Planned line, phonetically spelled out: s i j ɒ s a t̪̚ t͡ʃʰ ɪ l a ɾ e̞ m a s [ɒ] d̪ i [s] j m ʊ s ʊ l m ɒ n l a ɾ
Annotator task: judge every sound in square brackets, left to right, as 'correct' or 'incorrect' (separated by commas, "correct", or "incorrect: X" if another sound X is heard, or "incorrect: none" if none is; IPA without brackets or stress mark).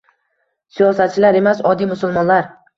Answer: correct, incorrect: none